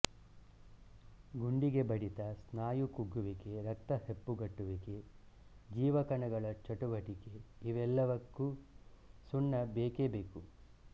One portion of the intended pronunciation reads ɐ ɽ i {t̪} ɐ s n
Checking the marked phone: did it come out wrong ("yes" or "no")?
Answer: no